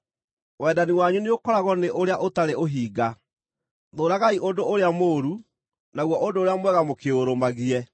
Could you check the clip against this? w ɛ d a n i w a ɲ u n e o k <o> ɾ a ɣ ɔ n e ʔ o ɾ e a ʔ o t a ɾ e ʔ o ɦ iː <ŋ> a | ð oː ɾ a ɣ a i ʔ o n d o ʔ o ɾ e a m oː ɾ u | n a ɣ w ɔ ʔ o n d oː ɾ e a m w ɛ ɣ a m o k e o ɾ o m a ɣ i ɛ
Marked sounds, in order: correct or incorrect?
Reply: incorrect: ɔ, incorrect: ɡ

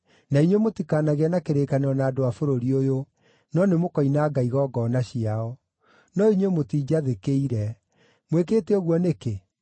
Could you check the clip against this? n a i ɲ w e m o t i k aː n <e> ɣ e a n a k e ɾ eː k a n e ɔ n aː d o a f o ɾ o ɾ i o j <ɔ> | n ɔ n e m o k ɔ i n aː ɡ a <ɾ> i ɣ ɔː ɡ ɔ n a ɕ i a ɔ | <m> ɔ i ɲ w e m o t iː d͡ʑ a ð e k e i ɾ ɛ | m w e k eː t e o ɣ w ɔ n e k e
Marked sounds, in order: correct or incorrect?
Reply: incorrect: a, incorrect: o, incorrect: none, incorrect: n

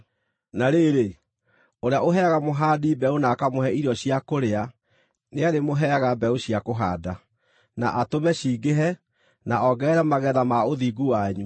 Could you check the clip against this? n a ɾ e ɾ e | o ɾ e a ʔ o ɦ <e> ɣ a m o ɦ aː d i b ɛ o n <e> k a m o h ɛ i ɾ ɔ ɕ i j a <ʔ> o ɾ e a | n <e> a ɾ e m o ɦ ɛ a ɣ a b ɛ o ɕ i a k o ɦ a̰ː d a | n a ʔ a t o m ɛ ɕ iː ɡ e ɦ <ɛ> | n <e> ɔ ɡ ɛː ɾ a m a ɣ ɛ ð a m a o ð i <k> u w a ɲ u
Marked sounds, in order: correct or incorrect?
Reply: incorrect: ɛ, incorrect: a, incorrect: k, correct, correct, incorrect: a, incorrect: ɡ

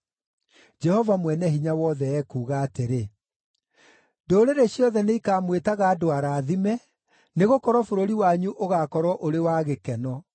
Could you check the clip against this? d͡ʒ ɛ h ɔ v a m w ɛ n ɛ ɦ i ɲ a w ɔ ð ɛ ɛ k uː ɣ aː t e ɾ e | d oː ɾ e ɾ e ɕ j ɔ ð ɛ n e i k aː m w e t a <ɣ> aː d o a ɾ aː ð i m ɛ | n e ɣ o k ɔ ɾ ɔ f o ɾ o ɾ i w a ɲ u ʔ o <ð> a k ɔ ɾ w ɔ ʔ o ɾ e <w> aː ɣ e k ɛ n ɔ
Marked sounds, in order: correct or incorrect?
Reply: correct, incorrect: ɣ, correct

